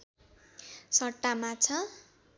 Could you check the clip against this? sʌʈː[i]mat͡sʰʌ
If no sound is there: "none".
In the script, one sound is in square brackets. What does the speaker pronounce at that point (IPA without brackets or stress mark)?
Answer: a